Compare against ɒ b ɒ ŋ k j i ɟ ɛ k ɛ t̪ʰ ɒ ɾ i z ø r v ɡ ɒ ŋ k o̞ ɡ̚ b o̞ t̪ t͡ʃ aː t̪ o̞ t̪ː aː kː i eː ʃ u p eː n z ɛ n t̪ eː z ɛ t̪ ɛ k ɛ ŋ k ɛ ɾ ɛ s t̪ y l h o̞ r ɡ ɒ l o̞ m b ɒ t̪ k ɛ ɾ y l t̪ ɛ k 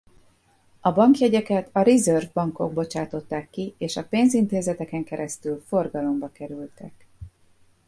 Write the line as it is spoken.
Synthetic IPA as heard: ɒ b ɒ ŋ k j ɛ ɟ ɛ k ɛ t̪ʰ ɒ ɾ i z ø r v b ɒ ŋ k o̞ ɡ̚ b o̞ t͡ʃ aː t̪ o̞ t̪ː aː kː i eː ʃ ɒ p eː n z i n t̪ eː z ɛ t̪ ɛ k ɛ ŋ k ɛ ɾ ɛ s t̪ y l f o̞ r ɡ ɒ l o̞ m b ɒ k ɛ ɾ y l t̪ ɛ k